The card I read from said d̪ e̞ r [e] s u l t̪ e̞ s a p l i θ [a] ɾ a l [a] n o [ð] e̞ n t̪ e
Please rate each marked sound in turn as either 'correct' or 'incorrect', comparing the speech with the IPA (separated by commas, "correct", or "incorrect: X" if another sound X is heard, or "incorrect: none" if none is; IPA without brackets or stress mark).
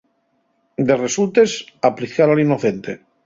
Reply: correct, correct, incorrect: i, incorrect: θ